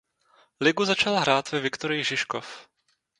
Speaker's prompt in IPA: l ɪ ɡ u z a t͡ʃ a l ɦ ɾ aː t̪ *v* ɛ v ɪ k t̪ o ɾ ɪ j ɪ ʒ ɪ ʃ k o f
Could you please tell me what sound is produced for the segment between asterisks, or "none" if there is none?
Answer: v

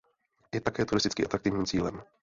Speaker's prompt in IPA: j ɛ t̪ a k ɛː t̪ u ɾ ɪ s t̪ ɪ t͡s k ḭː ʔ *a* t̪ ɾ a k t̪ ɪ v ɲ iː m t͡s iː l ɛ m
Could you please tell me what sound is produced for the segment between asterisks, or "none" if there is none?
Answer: a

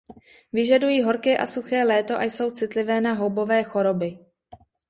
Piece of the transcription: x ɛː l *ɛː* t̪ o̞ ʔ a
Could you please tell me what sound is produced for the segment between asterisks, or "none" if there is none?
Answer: ɛː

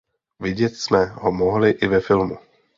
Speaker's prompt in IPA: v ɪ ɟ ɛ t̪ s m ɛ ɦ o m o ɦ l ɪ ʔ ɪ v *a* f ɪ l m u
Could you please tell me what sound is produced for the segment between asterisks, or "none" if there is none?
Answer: ɛ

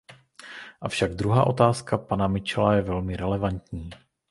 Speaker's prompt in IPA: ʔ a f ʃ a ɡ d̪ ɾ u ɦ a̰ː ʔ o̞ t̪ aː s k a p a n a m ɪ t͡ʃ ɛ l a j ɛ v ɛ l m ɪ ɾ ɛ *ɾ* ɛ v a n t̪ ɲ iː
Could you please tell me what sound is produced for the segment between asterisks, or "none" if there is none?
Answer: l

